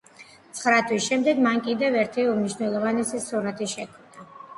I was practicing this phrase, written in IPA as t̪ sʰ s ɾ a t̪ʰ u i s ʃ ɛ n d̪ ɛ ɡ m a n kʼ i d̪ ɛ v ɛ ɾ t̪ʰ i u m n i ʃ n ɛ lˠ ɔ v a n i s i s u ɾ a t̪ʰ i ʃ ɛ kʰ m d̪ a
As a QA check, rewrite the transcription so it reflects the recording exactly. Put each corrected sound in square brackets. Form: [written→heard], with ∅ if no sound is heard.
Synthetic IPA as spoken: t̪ sʰ [s→χ] ɾ a t̪ʰ [u→w] i s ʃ ɛ [n→m] d̪ ɛ ɡ m a n kʼ i d̪ ɛ v ɛ ɾ t̪ʰ i u m n i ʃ n ɛ lˠ ɔ v a n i s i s u ɾ a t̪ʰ i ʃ ɛ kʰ m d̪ a